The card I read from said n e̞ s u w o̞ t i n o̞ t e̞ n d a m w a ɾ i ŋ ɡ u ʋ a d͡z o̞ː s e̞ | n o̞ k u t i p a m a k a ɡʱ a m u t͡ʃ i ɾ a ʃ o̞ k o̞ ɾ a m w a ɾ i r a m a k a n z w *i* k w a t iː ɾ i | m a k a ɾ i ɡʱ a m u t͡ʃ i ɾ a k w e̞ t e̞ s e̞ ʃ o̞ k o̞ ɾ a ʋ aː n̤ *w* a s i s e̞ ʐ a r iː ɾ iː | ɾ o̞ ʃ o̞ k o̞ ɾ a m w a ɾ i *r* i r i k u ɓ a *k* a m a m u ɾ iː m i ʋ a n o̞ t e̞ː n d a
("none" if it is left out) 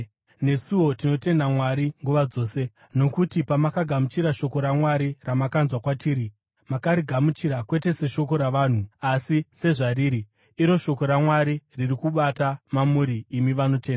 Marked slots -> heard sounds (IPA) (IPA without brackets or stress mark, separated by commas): a, u, r, t